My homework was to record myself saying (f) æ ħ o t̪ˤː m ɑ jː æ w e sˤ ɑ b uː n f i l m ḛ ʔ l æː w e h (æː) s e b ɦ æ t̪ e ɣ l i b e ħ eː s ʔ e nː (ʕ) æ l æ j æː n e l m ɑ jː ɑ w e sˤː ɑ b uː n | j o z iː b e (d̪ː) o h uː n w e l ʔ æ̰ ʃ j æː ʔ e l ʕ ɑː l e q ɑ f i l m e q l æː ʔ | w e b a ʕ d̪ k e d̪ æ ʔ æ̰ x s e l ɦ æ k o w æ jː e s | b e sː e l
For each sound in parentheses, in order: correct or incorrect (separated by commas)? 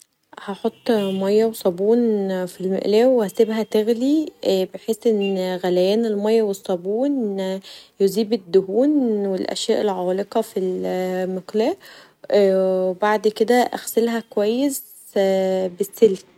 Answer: incorrect, incorrect, incorrect, correct